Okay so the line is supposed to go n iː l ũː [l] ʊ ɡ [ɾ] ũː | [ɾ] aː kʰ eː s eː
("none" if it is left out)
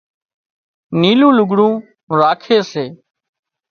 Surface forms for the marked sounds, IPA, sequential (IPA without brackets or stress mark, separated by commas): l, ɽ, ɾ